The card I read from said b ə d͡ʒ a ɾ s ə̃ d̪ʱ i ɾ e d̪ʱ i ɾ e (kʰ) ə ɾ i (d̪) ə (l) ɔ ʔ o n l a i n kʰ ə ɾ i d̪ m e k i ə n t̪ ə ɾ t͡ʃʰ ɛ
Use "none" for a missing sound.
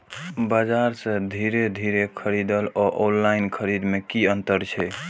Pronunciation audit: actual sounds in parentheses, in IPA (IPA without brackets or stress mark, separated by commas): kʰ, d̪, l